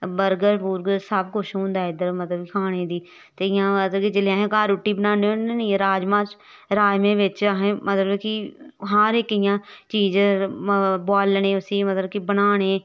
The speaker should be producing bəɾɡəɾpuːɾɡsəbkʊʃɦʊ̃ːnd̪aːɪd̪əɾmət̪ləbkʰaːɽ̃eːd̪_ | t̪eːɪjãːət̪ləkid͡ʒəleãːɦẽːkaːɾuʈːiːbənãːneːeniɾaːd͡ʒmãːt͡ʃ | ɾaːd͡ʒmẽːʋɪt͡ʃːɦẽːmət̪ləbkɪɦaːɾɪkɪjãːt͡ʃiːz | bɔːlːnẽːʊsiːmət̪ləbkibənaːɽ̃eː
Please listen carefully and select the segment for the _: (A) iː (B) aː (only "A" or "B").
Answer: A